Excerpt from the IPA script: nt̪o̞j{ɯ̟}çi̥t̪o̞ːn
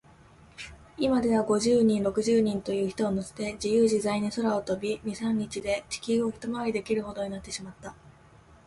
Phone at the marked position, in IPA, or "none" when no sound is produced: ɯ̟ː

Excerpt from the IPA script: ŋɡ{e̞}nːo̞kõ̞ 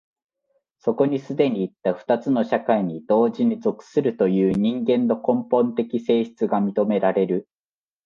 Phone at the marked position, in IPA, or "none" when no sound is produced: ẽ̞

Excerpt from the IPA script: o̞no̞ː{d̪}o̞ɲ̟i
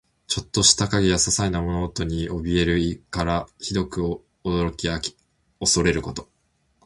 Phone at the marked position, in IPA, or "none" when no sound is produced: t̪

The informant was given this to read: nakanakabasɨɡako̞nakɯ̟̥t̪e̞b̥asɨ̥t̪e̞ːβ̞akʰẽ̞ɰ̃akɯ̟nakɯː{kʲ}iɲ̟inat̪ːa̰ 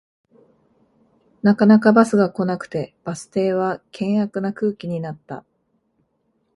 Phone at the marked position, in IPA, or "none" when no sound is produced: kʲ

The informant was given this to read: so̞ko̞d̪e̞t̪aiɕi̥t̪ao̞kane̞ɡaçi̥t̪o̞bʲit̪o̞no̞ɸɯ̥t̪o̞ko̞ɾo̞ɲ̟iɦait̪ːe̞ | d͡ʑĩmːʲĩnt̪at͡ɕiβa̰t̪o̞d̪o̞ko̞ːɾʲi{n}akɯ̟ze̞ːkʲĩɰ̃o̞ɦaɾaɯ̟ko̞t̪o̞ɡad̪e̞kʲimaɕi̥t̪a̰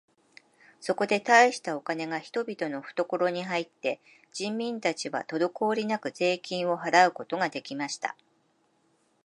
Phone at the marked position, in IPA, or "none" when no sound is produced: n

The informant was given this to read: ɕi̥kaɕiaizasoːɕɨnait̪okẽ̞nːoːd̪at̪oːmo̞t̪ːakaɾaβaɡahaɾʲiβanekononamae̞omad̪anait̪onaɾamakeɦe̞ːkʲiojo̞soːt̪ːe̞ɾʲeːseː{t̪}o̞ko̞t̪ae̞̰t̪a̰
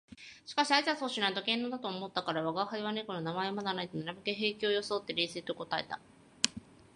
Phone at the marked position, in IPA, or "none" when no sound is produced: t̪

